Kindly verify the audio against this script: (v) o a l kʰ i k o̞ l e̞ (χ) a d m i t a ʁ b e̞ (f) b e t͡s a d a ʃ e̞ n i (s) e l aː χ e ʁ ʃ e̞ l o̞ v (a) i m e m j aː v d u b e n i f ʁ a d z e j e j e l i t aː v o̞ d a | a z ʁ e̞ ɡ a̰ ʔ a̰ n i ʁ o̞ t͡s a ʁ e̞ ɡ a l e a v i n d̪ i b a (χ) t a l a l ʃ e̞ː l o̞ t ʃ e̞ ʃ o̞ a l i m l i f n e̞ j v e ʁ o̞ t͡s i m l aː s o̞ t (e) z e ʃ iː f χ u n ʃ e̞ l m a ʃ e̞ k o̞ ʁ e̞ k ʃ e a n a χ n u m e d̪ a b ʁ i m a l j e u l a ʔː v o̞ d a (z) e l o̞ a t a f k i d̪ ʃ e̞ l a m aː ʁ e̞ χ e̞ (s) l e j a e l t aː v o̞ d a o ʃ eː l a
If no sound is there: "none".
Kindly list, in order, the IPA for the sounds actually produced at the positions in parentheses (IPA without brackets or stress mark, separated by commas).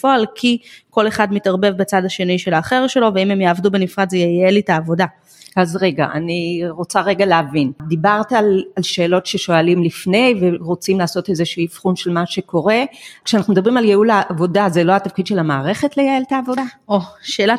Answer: f, χ, v, ʃ, e, ʁ, e, z, t